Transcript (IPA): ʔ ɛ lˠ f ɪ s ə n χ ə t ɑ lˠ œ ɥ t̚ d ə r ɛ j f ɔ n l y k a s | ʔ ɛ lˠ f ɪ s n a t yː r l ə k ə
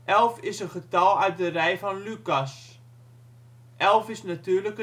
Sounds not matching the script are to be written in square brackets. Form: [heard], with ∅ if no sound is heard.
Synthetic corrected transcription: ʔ ɛ lˠ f ɪ s ə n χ ə t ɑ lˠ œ ɥ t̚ d ə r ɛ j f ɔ n l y k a s | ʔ ɛ lˠ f ɪ s n a t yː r l ə k ə